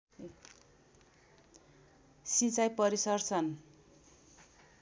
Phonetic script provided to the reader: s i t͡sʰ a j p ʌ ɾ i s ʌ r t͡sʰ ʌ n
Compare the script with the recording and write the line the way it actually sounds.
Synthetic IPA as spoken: s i t͡s a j p ʌ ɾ i s ʌ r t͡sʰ ʌ n